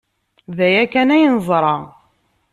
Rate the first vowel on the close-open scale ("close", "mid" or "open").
open